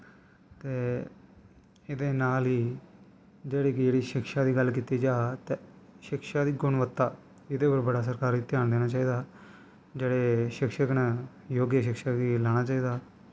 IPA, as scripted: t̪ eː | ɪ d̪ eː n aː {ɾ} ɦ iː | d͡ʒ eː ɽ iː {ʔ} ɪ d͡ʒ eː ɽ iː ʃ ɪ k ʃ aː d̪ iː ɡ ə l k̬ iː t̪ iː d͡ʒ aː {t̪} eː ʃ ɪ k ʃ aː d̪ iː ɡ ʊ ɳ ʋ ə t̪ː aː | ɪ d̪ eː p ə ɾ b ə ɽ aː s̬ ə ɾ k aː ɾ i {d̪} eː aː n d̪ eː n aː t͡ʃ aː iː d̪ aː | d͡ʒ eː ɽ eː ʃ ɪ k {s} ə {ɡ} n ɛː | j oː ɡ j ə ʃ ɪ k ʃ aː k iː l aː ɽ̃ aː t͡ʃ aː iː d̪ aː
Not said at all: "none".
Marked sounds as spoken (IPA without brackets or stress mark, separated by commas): l, k, t̪, t̪, ʃ, k